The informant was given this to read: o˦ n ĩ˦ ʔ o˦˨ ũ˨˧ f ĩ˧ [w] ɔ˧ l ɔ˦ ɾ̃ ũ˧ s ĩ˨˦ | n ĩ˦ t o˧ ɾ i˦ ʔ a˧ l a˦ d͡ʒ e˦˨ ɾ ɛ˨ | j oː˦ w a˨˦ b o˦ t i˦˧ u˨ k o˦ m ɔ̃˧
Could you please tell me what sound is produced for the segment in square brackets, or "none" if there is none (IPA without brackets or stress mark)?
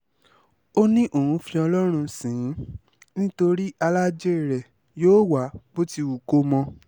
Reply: none